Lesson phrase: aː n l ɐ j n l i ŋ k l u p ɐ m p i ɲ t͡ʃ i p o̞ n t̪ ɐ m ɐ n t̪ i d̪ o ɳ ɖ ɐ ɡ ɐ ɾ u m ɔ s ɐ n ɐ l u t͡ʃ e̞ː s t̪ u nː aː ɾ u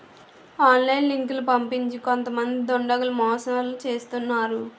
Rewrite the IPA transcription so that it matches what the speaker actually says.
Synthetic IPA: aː n l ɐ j n l i ŋ k l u p ɐ m p i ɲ t͡ʃ i k o̞ n t̪ ɐ m ɐ n d̪ i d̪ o ɳ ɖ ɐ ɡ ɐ l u m ɔː s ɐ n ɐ l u t͡ʃ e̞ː s t̪ u nː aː ɾ u